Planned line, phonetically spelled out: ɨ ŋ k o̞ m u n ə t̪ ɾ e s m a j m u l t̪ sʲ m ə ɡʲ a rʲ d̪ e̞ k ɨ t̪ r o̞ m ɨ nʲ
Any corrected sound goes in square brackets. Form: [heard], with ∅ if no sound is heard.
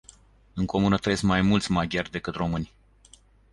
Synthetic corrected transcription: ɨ ŋ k o̞ m u n ə t̪ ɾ e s m a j m u l t̪ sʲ m [a] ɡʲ a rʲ d̪ e̞ k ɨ t̪ r o̞ m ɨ nʲ